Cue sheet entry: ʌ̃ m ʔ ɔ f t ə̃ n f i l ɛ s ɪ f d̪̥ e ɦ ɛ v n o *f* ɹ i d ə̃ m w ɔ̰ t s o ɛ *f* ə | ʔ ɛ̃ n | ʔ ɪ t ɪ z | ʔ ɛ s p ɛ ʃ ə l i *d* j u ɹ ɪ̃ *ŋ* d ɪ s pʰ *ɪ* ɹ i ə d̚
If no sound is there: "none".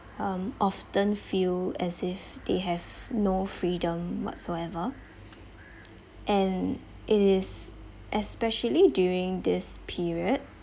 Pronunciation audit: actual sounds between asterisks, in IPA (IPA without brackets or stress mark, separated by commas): f, v, d, ŋ, i